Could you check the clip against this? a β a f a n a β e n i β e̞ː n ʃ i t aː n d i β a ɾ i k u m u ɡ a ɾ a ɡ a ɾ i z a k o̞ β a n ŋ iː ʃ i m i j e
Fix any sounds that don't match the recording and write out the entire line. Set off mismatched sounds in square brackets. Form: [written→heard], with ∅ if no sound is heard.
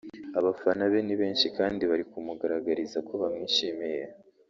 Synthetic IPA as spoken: a β a f a n a β e n i β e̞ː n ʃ i [t→k] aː n d i β a ɾ i k u m u ɡ a ɾ a ɡ a ɾ i z a k o̞ β a [n→m] ŋ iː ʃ i m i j e